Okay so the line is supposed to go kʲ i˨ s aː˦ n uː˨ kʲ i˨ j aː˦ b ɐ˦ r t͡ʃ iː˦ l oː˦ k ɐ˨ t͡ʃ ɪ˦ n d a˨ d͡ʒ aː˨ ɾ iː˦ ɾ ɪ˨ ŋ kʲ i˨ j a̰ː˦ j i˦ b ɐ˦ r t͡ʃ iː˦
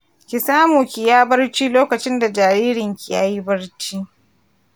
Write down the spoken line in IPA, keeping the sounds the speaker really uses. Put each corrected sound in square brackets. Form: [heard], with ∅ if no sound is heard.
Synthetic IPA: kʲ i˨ s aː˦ [m] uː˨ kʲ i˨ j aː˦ b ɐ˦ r t͡ʃ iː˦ l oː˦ k ɐ˨ t͡ʃ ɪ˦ n d a˨ d͡ʒ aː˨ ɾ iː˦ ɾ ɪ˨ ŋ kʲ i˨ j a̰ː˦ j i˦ b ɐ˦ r t͡ʃ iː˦

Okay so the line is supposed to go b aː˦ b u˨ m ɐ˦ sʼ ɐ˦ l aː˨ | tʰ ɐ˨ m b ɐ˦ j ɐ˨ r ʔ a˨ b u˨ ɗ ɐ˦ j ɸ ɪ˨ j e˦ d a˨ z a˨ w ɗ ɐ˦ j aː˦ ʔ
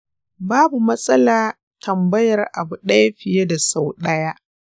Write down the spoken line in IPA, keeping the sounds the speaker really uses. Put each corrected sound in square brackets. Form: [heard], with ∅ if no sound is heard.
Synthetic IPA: b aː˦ b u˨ m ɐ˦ sʼ ɐ˦ l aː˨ | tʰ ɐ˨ m b ɐ˦ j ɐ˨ r ʔ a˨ b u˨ ɗ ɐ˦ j ɸ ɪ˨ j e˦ d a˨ [s] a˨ w ɗ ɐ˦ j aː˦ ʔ

